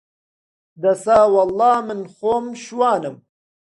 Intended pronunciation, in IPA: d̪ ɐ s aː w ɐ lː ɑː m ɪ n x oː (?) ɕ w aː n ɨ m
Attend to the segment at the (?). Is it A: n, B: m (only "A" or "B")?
B